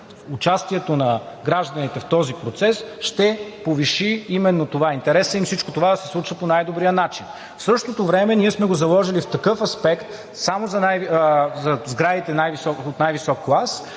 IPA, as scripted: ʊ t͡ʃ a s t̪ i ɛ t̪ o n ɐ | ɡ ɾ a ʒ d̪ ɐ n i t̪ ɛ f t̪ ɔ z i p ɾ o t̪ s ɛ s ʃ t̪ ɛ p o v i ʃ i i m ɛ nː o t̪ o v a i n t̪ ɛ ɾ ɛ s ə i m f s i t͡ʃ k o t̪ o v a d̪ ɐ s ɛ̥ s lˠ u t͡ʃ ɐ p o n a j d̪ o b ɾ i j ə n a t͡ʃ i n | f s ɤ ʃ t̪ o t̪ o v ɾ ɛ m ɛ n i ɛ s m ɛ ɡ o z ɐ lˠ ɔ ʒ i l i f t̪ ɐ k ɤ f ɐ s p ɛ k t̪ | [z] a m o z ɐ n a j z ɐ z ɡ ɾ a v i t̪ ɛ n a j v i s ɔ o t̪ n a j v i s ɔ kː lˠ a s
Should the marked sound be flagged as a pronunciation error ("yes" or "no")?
yes